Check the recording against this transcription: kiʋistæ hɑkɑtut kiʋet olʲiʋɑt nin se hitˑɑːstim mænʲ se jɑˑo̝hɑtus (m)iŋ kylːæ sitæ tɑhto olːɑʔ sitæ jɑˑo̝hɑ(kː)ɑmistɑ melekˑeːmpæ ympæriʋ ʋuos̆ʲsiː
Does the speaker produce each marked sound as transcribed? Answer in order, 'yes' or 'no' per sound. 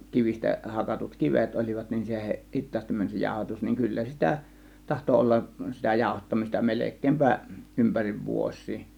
no, no

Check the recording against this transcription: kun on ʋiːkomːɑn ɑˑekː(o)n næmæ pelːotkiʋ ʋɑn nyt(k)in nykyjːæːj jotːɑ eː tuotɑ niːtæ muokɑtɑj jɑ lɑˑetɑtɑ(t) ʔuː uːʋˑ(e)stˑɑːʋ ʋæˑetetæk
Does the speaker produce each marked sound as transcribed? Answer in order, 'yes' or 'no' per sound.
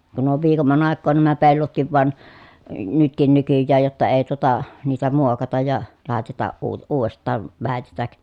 no, yes, no, yes

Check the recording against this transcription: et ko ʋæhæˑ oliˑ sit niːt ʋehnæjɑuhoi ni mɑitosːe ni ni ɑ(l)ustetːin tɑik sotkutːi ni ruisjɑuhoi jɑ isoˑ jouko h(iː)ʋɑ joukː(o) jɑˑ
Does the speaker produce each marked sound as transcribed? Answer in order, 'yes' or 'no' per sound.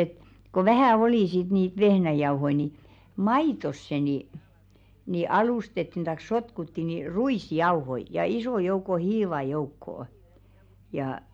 yes, yes, no

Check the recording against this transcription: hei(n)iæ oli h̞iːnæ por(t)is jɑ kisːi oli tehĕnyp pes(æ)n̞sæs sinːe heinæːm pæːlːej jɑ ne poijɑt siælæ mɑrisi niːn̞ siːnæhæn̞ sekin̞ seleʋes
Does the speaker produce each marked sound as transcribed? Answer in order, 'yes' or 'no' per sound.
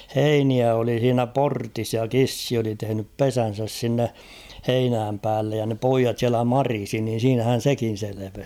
yes, yes, yes

